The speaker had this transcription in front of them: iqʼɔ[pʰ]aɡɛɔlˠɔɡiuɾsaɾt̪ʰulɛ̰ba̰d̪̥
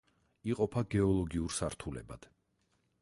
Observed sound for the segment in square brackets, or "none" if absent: pʰ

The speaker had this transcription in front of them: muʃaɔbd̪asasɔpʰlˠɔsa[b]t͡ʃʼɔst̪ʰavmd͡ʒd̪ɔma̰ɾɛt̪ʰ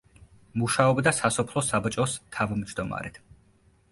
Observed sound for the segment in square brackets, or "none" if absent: b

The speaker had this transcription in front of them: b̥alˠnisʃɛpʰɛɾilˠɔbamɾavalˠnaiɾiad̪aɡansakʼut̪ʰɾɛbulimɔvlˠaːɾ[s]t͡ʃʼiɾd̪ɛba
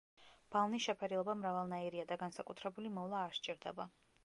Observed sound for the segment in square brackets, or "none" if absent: ʃ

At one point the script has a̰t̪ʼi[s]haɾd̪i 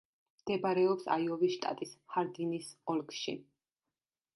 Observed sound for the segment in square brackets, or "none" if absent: s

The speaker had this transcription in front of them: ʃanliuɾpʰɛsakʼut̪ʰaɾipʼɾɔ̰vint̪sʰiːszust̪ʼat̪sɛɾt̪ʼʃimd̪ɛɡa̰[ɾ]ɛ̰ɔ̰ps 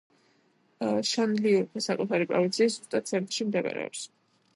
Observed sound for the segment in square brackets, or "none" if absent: ɾ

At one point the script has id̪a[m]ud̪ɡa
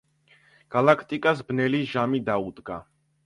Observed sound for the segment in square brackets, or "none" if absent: none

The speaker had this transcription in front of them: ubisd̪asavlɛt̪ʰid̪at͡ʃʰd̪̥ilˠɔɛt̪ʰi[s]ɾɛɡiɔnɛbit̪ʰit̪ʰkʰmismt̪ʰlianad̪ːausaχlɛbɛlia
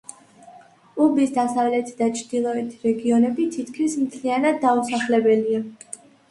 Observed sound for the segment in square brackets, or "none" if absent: none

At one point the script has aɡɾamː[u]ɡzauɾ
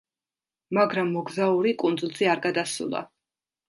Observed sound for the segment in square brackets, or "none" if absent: ɔ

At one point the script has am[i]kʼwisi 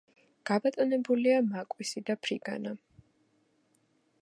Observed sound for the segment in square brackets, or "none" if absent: a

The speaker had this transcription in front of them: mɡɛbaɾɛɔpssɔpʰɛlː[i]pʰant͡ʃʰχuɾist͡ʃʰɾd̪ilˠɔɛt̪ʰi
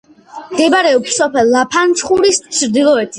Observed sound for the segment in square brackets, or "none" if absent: a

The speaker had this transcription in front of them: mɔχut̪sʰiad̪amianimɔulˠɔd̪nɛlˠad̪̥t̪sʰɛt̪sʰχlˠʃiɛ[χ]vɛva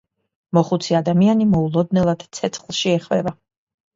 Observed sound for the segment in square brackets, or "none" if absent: χ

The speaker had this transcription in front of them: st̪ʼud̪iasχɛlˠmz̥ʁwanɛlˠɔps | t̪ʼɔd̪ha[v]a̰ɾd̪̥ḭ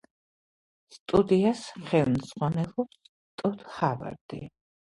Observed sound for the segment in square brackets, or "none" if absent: v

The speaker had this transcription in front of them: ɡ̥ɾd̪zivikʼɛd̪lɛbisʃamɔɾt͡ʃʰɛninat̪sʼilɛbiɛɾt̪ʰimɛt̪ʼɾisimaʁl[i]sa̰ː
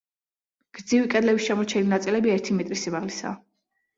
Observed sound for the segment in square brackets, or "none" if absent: i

